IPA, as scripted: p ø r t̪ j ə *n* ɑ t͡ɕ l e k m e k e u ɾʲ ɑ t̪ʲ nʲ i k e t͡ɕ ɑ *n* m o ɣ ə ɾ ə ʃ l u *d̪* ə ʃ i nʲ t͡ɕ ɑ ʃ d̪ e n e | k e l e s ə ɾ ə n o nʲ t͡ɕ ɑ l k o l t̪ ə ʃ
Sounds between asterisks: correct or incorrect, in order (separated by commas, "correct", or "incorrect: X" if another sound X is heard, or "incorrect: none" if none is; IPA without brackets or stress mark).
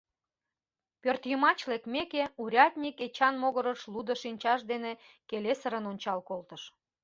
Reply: incorrect: m, correct, correct